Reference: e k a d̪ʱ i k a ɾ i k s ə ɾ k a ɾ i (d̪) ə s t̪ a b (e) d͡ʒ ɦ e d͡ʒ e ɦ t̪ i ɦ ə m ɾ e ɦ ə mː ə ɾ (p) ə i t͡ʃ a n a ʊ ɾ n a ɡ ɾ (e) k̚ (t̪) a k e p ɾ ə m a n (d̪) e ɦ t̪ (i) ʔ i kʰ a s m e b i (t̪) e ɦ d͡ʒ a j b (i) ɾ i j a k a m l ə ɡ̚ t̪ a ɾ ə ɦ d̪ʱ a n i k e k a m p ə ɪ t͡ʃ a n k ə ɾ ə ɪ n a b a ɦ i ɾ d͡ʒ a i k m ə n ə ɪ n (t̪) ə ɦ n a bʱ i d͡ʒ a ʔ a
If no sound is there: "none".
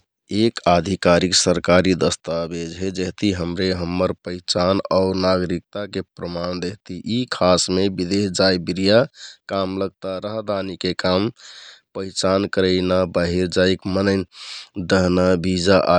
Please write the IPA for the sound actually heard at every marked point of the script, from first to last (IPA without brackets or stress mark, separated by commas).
d̪, e, p, i, t̪, d̪, i, d̪, i, d̪